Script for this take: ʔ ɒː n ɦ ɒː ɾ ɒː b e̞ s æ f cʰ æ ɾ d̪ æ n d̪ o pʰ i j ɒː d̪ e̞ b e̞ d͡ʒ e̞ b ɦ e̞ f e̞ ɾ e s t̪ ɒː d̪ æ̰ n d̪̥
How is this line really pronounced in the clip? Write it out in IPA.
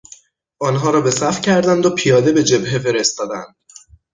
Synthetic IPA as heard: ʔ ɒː n ɦ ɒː ɾ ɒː b e̞ s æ f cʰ æ ɾ d̪ æ n d̪ o pʰ i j ɒː d̪ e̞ b e̞ d͡ʒ e̞ b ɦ e̞ f e̞ ɾ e s t̪ ɒː d̪ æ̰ n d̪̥